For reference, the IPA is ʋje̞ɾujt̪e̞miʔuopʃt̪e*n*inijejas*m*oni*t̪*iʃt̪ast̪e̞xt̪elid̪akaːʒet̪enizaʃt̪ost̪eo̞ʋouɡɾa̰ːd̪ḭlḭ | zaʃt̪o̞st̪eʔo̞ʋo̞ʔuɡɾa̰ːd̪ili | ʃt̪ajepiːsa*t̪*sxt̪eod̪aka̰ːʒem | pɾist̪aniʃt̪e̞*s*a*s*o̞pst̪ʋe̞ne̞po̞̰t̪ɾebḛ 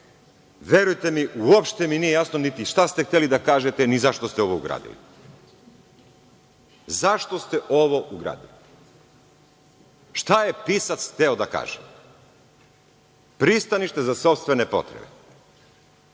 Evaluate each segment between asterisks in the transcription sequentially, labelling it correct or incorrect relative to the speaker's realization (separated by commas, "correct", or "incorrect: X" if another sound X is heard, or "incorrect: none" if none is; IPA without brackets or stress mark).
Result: incorrect: m, incorrect: n, correct, correct, incorrect: z, correct